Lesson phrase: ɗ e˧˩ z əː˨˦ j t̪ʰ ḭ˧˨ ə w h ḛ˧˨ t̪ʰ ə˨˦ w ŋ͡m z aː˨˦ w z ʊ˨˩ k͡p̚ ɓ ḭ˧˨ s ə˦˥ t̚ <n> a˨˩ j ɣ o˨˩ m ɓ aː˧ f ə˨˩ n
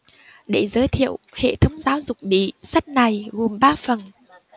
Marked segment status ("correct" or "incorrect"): correct